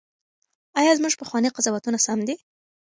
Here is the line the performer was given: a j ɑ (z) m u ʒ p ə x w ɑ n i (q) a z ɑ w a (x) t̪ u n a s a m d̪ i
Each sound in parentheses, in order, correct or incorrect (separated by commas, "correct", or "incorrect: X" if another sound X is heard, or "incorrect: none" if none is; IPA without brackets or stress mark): correct, correct, incorrect: none